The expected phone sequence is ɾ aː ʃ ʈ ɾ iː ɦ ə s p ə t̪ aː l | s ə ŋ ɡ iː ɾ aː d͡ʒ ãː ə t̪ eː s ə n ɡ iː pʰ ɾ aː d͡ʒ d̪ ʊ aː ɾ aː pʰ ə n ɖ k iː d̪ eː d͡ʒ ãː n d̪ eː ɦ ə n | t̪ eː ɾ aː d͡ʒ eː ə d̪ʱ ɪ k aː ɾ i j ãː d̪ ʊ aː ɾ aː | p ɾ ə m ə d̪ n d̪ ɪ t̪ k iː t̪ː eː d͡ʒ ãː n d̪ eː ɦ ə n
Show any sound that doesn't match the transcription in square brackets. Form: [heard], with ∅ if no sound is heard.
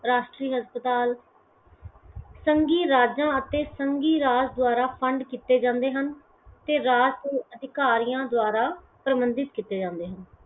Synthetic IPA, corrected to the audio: ɾ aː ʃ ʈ ɾ iː ɦ ə s p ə t̪ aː l | s ə ŋ ɡ iː ɾ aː d͡ʒ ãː ə t̪ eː s ə [ŋ] ɡ iː [∅] ɾ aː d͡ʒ d̪ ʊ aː ɾ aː pʰ ə [ɳ] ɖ k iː [t̪] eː d͡ʒ ãː n d̪ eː ɦ ə n | t̪ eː ɾ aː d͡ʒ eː ə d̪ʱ ɪ k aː ɾ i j ãː d̪ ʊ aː ɾ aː | p ɾ ə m ə [∅] n d̪ ɪ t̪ k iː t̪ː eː d͡ʒ ãː n d̪ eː ɦ ə n